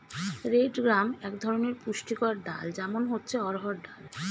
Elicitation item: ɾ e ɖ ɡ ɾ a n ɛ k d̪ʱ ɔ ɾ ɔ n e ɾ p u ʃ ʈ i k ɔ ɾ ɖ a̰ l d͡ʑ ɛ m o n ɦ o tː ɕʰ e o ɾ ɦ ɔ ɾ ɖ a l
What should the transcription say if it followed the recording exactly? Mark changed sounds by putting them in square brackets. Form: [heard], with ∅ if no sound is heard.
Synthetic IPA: ɾ e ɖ ɡ ɾ a [m] ɛ k d̪ʱ ɔ ɾ [o] n e ɾ p u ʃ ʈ i k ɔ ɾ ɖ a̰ l d͡ʑ ɛ m o n ɦ o tː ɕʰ e [ɔ] ɾ ɦ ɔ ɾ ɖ a l

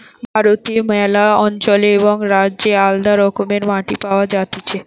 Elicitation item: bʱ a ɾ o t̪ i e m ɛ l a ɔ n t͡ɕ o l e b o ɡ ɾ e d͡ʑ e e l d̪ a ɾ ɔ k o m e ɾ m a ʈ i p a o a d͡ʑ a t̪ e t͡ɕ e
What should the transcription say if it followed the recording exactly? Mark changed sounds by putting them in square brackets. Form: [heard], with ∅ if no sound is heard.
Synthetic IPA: bʱ a ɾ o t̪ i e m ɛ l a ɔ n t͡ɕ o l e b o [ŋ] ɾ [a] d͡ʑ e [a] l d̪ a ɾ ɔ k o m e ɾ m a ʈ i p a o a d͡ʑ a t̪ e [t͡ɕʰ] e

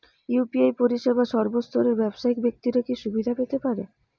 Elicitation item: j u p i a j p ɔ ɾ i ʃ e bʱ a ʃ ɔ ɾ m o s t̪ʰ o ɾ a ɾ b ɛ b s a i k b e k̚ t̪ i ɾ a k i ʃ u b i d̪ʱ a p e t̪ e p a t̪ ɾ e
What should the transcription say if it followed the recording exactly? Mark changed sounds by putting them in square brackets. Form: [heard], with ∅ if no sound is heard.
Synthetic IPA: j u p i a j p [o] ɾ i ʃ e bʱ a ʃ ɔ ɾ [b] o s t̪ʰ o ɾ [e] ɾ b ɛ b [ʃ] a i k b e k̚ t̪ i ɾ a k i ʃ u b i d̪ʱ a p e t̪ e p a [∅] ɾ e

